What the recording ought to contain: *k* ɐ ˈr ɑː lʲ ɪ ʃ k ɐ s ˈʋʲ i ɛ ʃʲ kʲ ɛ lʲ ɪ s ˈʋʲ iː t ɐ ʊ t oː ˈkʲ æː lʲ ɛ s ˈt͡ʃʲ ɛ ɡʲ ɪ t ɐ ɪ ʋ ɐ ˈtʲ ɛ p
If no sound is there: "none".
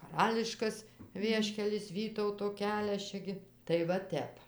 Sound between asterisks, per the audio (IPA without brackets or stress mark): k